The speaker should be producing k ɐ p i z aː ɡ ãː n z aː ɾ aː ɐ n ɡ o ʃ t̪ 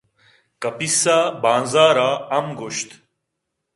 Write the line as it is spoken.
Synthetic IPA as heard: k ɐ p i s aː b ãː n z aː ɾ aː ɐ m ɡ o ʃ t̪